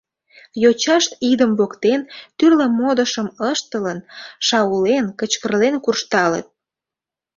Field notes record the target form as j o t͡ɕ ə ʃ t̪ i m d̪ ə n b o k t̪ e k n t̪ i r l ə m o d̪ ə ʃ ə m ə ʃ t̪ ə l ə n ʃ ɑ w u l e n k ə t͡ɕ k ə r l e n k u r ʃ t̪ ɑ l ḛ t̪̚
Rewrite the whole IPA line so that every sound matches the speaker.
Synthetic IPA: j o t͡ɕ ɑ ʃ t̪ i d̪ ə m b o k t̪ e n t̪ y r l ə m o d̪ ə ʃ ə m ə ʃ t̪ ə l ə n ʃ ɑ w u l e n k ə t͡ɕ k ə r l e n k u r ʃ t̪ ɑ l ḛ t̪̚